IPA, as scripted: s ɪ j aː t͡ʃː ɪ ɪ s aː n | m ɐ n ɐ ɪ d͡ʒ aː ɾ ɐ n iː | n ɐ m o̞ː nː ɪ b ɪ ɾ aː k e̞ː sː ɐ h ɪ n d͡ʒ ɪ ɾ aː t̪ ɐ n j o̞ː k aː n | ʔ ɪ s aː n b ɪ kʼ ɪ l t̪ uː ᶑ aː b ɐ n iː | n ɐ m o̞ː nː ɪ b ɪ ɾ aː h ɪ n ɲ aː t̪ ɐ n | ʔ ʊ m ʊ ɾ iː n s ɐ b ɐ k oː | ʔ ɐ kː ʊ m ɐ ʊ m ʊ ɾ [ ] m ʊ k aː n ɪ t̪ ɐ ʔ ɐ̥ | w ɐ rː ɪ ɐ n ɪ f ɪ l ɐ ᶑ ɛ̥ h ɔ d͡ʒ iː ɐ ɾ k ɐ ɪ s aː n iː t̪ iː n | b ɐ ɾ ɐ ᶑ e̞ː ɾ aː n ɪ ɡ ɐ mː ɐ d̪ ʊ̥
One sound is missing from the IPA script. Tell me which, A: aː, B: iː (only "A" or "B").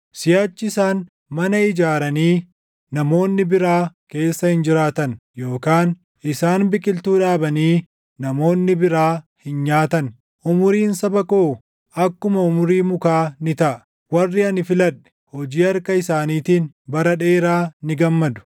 B